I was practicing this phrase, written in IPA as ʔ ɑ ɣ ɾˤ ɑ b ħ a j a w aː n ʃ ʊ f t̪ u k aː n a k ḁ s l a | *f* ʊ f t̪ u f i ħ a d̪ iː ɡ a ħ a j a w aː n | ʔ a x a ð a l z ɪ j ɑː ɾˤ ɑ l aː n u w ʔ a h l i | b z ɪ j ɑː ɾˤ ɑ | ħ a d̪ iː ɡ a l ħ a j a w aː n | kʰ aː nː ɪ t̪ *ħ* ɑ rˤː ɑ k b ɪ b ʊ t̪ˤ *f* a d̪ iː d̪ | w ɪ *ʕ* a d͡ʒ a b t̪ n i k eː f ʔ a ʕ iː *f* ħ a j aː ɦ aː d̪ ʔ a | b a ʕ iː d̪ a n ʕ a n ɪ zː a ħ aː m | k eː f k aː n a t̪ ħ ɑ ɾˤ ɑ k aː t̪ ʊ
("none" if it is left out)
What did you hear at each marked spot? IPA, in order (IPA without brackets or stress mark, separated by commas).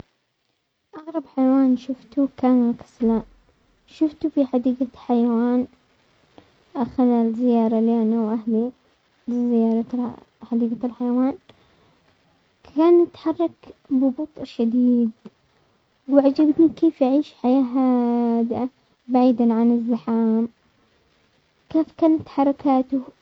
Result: ʃ, ħ, ʃ, ʕ, ʃ